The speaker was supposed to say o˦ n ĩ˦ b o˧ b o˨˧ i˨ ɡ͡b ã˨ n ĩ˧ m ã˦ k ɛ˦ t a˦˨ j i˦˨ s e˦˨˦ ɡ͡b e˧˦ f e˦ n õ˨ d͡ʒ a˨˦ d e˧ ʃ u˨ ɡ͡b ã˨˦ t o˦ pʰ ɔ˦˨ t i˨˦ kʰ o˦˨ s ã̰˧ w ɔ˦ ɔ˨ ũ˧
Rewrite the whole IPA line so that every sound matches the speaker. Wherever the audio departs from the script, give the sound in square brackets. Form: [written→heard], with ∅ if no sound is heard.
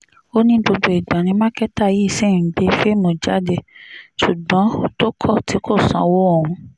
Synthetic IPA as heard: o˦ n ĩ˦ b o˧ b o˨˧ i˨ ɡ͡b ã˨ n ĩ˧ m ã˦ k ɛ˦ t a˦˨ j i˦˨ s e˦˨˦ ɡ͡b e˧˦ f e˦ [n→m] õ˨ d͡ʒ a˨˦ d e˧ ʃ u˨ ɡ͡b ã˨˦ t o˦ [pʰ→kʰ] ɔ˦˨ t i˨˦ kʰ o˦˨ s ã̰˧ w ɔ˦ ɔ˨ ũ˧